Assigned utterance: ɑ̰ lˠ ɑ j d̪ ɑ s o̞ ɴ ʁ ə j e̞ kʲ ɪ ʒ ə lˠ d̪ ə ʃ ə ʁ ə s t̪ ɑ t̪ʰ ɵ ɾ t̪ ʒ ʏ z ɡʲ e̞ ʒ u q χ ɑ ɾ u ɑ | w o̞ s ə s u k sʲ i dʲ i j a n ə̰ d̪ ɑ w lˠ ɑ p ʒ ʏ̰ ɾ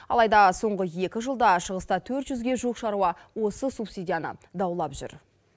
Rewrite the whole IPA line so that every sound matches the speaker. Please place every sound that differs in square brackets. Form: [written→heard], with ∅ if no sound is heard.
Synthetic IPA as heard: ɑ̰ lˠ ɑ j d̪ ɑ s o̞ ɴ ʁ ə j e̞ kʲ ɪ ʒ ə lˠ d̪ [ə→ɑ] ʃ ə ʁ ə s t̪ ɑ t̪ʰ ɵ ɾ t̪ ʒ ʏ z ɡʲ e̞ ʒ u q [χ→ʃ] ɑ ɾ u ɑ | w o̞ s ə s u [k→p] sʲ i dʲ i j a n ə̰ d̪ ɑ w lˠ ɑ p ʒ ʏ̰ ɾ